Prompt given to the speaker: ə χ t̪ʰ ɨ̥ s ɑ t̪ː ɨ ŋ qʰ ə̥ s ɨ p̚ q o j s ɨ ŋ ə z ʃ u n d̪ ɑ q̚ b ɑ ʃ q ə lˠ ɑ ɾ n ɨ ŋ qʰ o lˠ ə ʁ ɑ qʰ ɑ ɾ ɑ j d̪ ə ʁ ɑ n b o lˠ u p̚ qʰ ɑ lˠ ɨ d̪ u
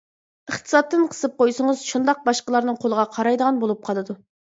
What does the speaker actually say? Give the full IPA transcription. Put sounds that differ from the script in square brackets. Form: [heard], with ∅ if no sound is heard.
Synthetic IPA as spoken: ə χ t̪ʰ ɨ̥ s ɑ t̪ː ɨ [n] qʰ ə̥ s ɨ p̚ q o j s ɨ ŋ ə z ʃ u n d̪ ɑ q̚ b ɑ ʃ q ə lˠ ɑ ɾ n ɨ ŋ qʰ o lˠ ə ʁ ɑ qʰ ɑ ɾ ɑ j d̪ ə ʁ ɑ n b o lˠ u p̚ qʰ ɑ lˠ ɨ d̪ u